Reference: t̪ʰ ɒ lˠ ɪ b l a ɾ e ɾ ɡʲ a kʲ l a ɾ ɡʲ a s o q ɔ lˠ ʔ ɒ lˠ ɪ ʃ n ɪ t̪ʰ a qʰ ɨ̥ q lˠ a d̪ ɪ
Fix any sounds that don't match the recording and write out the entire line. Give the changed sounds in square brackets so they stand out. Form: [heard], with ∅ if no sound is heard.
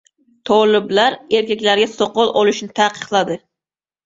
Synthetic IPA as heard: t̪ʰ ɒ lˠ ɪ b l a ɾ e ɾ [kʲ] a kʲ l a ɾ ɡʲ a s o q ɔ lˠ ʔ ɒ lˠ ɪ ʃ n ɪ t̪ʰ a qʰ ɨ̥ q lˠ a d̪ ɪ